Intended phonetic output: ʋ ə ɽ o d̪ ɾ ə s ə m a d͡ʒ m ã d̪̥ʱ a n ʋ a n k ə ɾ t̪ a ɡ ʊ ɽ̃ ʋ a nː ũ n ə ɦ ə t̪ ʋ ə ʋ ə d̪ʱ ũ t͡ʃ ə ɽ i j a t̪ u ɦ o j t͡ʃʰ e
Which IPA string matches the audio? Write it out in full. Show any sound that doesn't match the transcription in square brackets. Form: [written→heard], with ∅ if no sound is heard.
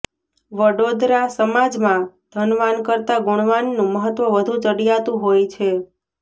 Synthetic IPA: ʋ ə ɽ o d̪ ɾ [ə→a] s ə m a d͡ʒ m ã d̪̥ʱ [a→ə] n ʋ a n k ə ɾ t̪ a ɡ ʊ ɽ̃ ʋ a nː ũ [n→m] ə ɦ ə t̪ ʋ ə ʋ ə d̪ʱ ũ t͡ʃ ə ɽ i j a t̪ [u→ũ] ɦ o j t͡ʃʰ e